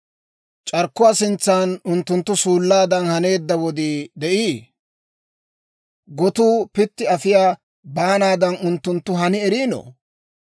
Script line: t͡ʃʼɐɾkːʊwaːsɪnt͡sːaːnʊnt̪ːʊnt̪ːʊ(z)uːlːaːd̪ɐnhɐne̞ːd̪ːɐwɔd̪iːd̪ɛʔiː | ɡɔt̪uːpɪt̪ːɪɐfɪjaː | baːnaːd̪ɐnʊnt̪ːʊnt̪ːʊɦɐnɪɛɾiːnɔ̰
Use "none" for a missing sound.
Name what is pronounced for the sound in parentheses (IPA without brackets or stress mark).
s